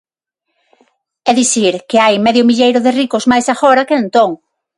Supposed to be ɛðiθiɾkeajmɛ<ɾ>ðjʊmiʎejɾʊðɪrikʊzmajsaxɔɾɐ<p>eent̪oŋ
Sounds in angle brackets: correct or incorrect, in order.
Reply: incorrect, incorrect

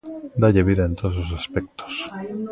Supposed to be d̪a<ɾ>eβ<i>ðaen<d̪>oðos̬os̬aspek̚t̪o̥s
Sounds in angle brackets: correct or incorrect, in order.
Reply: incorrect, correct, incorrect

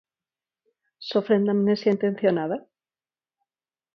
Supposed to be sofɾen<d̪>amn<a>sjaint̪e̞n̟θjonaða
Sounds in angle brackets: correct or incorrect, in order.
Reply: correct, incorrect

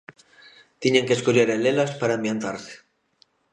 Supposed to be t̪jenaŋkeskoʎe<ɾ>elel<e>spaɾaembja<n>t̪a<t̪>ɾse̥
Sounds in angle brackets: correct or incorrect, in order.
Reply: correct, incorrect, correct, incorrect

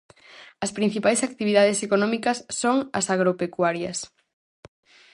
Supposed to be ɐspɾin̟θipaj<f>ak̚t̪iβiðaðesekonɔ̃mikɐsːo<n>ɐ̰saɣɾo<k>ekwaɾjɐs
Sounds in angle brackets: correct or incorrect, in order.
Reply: incorrect, incorrect, incorrect

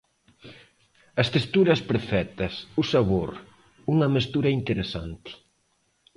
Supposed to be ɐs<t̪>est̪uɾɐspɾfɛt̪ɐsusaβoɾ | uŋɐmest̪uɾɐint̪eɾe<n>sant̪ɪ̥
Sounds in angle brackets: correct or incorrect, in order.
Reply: correct, incorrect

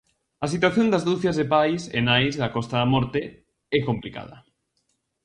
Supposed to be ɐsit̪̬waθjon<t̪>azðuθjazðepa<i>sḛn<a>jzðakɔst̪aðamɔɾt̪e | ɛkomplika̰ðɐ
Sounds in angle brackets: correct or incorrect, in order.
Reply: incorrect, incorrect, correct

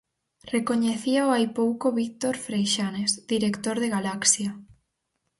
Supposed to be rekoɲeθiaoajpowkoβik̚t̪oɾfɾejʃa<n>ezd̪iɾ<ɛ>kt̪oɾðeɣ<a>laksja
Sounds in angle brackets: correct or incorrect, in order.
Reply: correct, incorrect, correct

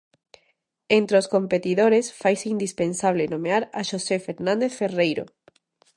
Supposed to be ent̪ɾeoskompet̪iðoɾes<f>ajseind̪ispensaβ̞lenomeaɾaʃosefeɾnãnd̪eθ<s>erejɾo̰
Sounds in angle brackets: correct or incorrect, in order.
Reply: correct, incorrect

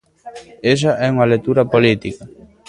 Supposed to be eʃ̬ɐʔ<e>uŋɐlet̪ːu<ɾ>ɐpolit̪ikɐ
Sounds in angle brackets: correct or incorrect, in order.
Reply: incorrect, correct

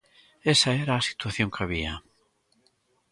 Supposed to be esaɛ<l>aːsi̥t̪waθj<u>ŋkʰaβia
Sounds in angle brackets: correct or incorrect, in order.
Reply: incorrect, incorrect

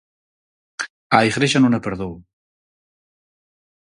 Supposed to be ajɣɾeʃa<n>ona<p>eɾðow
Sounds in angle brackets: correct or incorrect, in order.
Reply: correct, correct

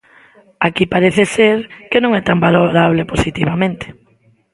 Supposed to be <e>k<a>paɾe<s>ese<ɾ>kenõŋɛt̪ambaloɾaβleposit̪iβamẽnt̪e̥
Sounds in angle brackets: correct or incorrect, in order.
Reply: incorrect, incorrect, incorrect, correct

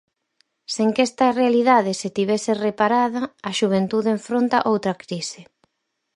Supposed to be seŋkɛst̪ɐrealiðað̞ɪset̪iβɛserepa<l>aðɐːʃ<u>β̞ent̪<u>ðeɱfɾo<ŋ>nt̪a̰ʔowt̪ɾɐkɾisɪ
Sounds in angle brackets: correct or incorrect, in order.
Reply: incorrect, correct, correct, incorrect

